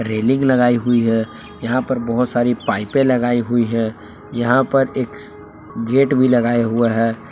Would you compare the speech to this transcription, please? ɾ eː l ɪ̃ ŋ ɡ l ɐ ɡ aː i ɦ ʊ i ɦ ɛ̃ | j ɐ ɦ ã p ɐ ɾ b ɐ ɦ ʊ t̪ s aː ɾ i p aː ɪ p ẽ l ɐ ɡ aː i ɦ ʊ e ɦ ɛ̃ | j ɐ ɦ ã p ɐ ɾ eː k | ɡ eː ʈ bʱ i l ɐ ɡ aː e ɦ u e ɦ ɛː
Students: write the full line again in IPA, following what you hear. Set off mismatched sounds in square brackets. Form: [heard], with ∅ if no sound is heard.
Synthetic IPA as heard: ɾ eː l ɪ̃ ŋ ɡ l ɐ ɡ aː i ɦ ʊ i ɦ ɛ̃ | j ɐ ɦ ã p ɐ ɾ b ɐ ɦ ʊ t̪ s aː ɾ i p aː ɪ p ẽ l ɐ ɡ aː i ɦ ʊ [i] ɦ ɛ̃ | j ɐ ɦ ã p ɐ ɾ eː k | ɡ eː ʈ bʱ i l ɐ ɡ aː e ɦ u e ɦ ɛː